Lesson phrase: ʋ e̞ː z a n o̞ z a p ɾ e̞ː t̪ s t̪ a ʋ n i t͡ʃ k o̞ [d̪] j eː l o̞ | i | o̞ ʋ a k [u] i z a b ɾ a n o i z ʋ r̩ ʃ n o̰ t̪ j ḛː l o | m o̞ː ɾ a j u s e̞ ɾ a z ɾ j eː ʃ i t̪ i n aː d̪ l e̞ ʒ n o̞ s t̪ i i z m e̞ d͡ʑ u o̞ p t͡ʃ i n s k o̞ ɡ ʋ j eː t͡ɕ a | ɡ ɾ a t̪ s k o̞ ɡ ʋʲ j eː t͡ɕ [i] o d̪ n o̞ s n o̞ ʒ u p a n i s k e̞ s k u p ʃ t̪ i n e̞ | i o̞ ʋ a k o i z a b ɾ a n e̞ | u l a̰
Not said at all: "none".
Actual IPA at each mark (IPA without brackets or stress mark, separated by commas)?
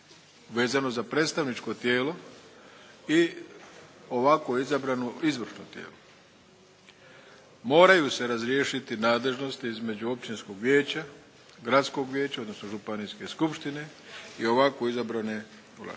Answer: t̪, o, a